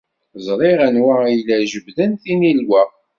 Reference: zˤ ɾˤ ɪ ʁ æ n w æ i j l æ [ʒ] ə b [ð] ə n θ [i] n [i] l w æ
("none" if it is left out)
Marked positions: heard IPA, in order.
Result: ʒ, ð, i, i

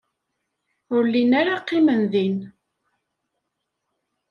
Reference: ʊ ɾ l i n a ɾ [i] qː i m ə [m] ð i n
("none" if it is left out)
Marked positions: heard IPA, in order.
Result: a, n

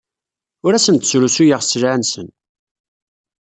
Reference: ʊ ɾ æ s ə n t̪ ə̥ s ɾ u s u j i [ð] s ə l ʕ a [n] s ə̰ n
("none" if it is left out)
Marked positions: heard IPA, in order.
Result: ʁ, n

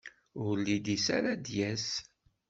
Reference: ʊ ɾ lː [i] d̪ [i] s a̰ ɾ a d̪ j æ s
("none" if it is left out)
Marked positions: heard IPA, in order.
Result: i, i

